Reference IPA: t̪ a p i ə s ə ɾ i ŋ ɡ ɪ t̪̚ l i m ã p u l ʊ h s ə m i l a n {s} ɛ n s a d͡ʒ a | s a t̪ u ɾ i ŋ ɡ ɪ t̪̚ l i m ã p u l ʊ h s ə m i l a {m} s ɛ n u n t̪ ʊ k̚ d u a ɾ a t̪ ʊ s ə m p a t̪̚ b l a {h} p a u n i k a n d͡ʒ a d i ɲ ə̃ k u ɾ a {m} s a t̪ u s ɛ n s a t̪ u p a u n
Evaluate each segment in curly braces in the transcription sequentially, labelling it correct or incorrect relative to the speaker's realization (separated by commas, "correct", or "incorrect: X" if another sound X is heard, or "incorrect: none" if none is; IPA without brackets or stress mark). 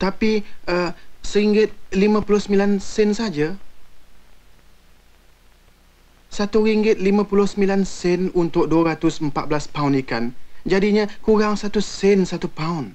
correct, incorrect: n, incorrect: s, incorrect: ŋ